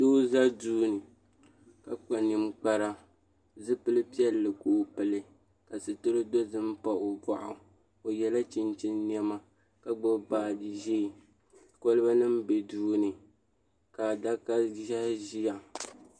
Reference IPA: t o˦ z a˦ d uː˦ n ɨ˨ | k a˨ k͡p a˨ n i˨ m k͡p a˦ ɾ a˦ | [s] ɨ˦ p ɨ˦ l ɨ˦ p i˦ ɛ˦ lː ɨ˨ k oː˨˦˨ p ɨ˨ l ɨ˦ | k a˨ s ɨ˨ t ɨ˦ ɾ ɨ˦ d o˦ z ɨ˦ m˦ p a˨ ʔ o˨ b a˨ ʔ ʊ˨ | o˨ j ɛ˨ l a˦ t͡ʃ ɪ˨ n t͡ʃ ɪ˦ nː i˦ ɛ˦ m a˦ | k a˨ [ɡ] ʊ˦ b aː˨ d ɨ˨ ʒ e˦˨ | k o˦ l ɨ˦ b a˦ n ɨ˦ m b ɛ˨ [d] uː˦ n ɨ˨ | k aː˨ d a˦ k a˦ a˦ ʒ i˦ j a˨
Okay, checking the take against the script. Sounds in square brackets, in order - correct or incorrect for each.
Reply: incorrect: z, incorrect: ɡ͡b, correct

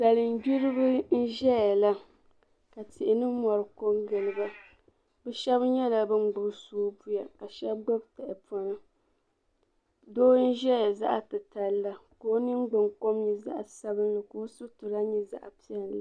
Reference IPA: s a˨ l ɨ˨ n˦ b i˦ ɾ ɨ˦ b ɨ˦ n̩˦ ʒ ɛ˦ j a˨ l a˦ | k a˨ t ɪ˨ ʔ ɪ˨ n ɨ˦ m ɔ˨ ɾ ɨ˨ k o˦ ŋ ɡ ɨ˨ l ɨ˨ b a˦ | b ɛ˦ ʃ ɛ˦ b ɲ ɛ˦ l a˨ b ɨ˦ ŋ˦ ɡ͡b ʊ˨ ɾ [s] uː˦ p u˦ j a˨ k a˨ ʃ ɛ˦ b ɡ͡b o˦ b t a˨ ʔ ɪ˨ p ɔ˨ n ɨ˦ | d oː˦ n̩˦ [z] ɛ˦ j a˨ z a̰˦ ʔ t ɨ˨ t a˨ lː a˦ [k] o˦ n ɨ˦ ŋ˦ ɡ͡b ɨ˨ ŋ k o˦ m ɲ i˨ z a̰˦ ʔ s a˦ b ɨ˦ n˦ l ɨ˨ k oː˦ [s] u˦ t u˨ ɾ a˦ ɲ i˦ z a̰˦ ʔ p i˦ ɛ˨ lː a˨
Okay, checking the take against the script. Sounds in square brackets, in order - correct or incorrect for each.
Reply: correct, incorrect: ʒ, correct, correct

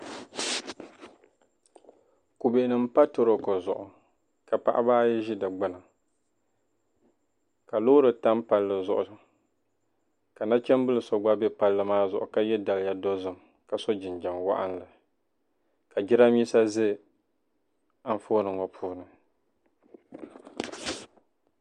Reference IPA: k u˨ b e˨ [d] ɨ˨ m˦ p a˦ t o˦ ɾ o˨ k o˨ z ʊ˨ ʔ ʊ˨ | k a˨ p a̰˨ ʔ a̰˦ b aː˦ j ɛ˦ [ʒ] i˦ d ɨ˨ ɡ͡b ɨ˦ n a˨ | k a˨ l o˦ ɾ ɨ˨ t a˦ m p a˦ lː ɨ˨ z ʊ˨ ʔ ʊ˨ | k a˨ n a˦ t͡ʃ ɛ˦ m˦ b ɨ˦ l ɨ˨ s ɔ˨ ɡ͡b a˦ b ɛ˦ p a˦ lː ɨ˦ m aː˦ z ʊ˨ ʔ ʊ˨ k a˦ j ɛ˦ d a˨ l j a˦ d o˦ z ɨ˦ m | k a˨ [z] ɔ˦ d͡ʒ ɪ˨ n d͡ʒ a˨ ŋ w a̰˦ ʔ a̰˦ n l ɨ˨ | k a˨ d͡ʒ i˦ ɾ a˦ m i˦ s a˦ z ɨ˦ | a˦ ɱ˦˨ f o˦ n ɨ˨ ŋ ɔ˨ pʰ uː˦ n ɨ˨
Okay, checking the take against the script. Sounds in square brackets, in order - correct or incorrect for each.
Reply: incorrect: n, correct, incorrect: s

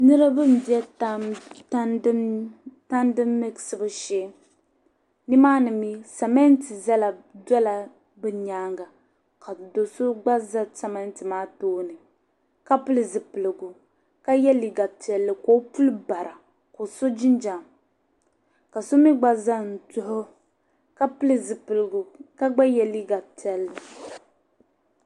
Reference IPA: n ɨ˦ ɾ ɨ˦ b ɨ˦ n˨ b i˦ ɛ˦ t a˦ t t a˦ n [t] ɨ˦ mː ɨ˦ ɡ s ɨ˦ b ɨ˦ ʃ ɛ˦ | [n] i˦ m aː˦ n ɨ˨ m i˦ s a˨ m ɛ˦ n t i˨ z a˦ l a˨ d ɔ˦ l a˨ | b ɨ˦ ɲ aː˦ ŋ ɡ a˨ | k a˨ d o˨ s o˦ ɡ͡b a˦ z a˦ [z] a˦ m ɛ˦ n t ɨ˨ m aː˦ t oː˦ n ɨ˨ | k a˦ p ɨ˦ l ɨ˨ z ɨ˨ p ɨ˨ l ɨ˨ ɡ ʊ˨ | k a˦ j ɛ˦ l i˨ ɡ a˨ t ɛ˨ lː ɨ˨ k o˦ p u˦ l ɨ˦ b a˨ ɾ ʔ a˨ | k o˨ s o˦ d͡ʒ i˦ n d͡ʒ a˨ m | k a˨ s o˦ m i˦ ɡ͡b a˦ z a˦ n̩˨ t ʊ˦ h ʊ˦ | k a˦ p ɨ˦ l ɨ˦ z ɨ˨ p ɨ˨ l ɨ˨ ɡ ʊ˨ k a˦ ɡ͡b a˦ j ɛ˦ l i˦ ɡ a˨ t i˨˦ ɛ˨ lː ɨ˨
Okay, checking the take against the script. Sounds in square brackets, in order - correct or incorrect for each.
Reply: incorrect: d, correct, incorrect: s

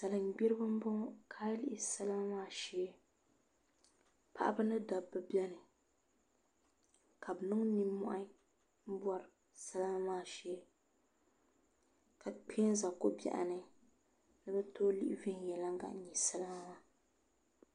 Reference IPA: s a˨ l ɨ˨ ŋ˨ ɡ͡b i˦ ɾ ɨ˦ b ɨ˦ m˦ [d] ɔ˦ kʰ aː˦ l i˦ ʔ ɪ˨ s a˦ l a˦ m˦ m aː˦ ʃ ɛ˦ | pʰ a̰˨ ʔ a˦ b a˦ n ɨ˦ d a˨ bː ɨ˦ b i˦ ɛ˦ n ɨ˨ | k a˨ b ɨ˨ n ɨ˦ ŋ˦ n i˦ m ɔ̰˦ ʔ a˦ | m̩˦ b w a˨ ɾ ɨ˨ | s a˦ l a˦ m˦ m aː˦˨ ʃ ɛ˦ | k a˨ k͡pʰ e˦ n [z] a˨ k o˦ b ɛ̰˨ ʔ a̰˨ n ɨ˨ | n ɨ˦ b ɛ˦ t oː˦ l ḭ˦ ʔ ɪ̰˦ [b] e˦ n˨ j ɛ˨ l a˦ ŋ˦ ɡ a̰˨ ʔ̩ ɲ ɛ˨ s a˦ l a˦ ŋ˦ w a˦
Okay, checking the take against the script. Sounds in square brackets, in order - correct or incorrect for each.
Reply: incorrect: b, correct, incorrect: v

